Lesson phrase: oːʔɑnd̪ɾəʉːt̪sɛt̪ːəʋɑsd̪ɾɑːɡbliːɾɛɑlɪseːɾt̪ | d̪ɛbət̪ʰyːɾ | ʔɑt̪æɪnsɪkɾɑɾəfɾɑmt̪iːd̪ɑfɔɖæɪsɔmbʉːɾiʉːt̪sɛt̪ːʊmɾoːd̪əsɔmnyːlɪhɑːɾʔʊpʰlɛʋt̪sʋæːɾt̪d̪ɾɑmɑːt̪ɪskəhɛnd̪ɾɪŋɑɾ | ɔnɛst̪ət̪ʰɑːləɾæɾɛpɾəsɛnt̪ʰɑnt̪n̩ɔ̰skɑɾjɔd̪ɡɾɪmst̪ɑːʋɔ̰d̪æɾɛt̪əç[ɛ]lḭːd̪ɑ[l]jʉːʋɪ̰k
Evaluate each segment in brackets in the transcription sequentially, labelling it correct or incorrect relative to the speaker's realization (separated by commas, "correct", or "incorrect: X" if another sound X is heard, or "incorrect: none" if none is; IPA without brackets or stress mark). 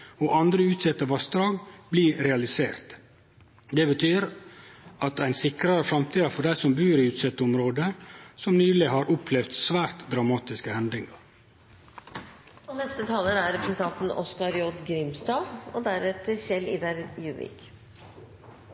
correct, incorrect: ɾ